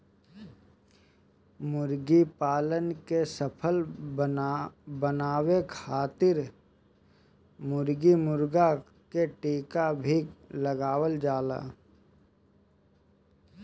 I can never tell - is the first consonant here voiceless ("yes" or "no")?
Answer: no